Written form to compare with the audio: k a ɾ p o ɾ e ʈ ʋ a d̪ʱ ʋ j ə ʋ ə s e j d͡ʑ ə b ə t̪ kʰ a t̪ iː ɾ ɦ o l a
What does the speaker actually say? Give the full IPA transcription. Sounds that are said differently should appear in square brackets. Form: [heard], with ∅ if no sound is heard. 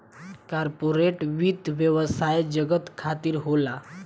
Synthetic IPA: k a ɾ p o ɾ e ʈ ʋ [i] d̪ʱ ʋ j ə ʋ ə s [a] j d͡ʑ ə [ɡ] ə t̪ kʰ a t̪ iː ɾ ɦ o l a

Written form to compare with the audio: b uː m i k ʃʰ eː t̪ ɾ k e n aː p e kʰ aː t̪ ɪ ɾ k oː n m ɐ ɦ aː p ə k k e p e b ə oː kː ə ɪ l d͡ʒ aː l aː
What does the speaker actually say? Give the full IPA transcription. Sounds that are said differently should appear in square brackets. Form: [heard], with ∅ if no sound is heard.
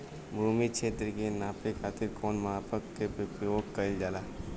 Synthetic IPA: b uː m i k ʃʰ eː t̪ ɾ k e n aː p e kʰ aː t̪ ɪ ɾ k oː n m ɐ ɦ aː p ə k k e p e [p] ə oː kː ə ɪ l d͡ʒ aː l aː

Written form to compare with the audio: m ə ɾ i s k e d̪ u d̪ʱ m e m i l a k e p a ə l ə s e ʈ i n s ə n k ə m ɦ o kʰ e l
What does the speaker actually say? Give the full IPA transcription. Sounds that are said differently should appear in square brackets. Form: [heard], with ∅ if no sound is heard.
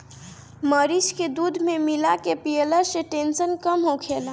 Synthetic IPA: m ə ɾ i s k e d̪ u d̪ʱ m e m i l a k e p [i] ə l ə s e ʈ [e] n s ə n k ə m ɦ o kʰ e l

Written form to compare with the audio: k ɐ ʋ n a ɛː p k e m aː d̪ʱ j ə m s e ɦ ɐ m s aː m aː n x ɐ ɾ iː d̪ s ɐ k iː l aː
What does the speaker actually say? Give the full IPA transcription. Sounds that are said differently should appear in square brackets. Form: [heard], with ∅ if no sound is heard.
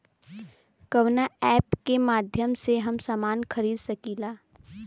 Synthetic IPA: k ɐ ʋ n a ɛː p k e m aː d̪ʱ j ə m s e ɦ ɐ m s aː m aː n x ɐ ɾ iː d̪ s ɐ k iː l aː

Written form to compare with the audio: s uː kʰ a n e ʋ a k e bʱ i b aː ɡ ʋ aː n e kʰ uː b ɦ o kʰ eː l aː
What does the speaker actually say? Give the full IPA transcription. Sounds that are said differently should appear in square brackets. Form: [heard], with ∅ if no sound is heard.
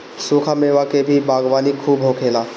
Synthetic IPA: s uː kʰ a [m] e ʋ a k e bʱ i b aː ɡ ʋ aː n [i] kʰ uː b ɦ o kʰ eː l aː

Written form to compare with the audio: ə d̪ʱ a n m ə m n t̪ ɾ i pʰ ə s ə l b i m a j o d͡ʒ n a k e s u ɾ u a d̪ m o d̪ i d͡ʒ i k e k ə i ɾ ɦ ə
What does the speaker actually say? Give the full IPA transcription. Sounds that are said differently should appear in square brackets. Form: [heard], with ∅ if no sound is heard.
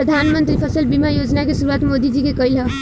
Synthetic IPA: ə d̪ʱ a n m ə [∅] n t̪ ɾ i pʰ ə s ə l b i m a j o d͡ʒ n a k e s u ɾ u a [t̪] m o d̪ i d͡ʒ i k e k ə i [l] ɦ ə

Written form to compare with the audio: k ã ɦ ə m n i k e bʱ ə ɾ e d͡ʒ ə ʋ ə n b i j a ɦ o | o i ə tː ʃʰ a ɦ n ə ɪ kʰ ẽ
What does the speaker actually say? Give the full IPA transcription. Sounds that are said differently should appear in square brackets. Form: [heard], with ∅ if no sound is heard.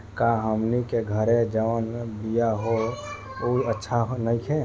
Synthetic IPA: k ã ɦ ə m n i k e [ɡʱ] ə ɾ e d͡ʒ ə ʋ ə n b i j a ɦ o | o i ə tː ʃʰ a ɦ n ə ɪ kʰ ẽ

